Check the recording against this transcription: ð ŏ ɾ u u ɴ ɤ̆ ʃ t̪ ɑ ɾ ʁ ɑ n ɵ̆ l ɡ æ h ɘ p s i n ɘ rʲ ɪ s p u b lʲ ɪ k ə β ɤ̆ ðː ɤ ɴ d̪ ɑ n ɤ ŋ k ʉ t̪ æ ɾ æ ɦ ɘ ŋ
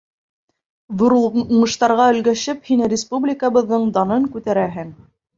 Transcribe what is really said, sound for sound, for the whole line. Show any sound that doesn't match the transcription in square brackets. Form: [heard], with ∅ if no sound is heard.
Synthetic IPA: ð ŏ ɾ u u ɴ ɤ̆ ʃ t̪ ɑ ɾ ʁ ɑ [∅] ɵ̆ l ɡ æ [ʃ] ɘ p [h] i n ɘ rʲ ɪ s p u b lʲ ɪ k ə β ɤ̆ ðː ɤ ɴ d̪ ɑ n ɤ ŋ k ʉ t̪ æ ɾ æ ɦ ɘ ŋ